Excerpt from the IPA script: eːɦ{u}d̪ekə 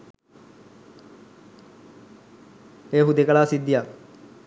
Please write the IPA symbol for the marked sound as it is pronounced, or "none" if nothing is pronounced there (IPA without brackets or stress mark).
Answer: u